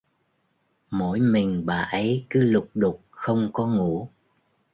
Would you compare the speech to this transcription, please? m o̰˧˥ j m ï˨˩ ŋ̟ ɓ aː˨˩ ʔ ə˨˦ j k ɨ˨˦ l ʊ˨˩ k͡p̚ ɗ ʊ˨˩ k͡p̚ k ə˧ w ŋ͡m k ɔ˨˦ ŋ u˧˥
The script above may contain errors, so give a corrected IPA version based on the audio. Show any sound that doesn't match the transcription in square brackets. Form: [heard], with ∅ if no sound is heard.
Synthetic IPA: m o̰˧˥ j m ï˨˩ ŋ̟ ɓ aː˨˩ ʔ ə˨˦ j k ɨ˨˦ l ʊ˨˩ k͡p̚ ɗ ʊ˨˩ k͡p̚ [x] ə˧ w ŋ͡m k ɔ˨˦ ŋ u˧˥